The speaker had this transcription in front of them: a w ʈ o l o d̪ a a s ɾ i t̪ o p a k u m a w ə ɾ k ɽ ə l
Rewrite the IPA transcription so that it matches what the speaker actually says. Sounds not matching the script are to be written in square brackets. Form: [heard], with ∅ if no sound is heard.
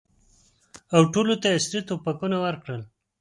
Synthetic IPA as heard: a w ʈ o l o [t̪] a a s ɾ i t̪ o p a k u [n] a w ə ɾ k ɽ ə l